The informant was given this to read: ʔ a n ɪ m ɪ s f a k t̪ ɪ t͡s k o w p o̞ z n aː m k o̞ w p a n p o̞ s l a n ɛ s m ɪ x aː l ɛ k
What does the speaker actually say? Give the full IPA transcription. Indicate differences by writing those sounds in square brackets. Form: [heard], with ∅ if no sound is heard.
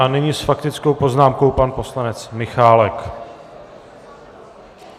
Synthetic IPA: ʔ a n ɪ [ɲ] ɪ s f a k t̪ ɪ t͡s k o w p o̞ z n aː m k o̞ w p a n p o̞ s l a n ɛ [t͡s] m ɪ x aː l ɛ k